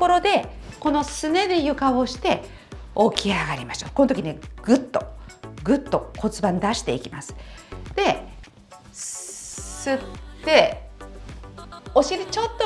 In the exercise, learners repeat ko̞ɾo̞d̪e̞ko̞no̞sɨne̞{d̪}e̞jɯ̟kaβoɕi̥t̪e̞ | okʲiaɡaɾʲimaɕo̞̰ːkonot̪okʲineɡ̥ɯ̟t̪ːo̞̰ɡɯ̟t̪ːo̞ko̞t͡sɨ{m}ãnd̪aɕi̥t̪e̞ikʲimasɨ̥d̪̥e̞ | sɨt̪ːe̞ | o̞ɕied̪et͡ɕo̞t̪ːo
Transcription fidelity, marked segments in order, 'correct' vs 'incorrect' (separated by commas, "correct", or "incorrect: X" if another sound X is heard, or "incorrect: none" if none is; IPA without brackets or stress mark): correct, incorrect: b